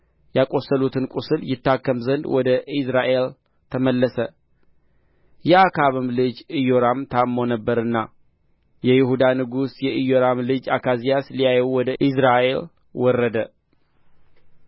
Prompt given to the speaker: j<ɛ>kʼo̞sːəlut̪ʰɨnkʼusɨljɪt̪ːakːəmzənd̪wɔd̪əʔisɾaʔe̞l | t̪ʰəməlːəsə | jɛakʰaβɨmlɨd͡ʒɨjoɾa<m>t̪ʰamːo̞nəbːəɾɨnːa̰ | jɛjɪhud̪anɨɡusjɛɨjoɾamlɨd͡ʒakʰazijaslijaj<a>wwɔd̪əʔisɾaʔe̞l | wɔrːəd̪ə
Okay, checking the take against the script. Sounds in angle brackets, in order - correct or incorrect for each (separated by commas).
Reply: incorrect, correct, incorrect